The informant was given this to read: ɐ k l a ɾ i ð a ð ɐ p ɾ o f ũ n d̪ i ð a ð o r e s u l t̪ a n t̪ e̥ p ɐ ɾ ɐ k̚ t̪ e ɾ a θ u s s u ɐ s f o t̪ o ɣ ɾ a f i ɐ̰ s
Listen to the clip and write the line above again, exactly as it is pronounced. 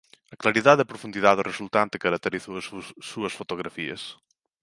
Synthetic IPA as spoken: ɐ k l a ɾ i ð a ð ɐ p ɾ o f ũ n d̪ i ð a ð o r e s u l t̪ a n t̪ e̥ k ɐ ɾ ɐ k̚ t̪ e ɾ i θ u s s u ɐ s f o t̪ o ɣ ɾ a f i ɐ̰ s